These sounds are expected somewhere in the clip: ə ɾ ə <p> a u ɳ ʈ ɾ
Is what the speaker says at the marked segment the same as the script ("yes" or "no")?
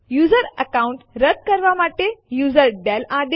no